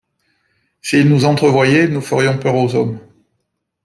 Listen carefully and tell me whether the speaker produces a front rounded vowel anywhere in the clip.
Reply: yes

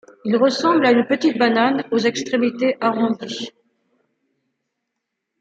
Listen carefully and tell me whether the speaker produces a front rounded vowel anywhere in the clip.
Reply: yes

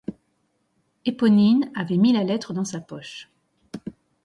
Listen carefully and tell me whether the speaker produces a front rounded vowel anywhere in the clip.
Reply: no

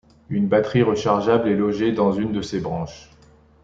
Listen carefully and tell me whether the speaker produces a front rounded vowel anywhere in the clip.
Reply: yes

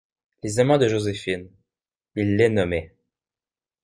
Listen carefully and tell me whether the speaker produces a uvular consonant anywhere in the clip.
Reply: no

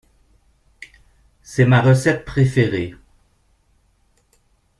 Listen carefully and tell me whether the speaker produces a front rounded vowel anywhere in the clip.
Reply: no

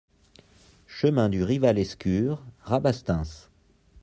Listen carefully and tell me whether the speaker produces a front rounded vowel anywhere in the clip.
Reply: yes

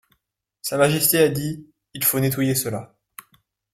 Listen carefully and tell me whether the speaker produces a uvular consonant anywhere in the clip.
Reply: no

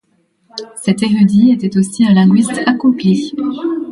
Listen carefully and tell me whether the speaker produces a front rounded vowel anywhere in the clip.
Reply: yes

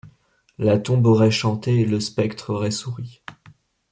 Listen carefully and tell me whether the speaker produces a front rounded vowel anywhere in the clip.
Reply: no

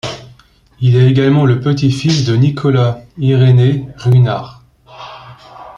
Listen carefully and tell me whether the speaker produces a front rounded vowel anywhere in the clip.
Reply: no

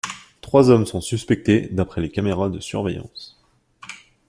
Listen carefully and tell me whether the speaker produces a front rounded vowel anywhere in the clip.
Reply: yes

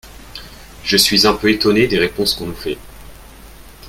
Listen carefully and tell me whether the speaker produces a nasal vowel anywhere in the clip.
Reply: yes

